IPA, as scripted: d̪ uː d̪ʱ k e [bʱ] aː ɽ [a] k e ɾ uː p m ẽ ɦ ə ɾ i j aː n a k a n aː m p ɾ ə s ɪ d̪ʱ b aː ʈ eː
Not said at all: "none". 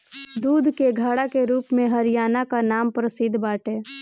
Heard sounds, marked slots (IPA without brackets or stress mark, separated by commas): ɡʱ, a